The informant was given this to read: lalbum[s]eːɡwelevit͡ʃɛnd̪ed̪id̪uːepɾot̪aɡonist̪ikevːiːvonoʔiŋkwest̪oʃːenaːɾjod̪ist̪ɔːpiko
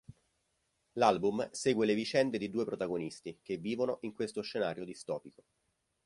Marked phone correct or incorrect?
correct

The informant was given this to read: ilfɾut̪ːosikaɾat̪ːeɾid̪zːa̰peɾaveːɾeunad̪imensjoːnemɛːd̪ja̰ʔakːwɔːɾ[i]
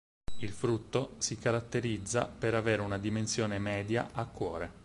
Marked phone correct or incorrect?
incorrect: e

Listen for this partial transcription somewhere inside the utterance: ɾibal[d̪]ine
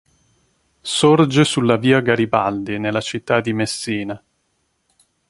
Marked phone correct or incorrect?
correct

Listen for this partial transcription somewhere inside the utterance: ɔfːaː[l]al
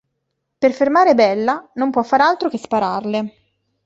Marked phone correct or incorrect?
incorrect: ɾ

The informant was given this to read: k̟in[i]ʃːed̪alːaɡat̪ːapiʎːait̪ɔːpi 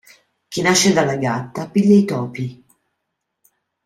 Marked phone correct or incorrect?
incorrect: a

